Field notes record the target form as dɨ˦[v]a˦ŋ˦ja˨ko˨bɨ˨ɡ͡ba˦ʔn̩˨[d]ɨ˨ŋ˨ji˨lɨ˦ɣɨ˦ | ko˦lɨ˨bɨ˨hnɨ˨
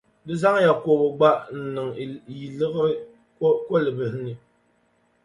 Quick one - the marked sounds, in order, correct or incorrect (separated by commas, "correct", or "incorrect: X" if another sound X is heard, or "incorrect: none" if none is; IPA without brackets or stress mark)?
incorrect: z, incorrect: n